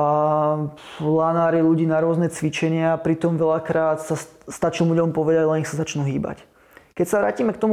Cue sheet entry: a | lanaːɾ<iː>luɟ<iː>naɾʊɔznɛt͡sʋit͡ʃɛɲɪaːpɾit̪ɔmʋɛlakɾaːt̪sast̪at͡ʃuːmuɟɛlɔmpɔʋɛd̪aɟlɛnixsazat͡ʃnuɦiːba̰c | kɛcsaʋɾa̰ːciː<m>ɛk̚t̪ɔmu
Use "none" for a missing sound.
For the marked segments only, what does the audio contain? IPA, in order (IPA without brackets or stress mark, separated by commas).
i, iː, m